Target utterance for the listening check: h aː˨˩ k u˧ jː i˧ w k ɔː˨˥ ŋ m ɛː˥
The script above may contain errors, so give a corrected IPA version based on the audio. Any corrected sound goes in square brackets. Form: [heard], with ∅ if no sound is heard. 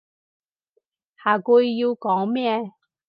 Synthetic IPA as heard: h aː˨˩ k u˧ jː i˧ w k ɔː˨˥ ŋ m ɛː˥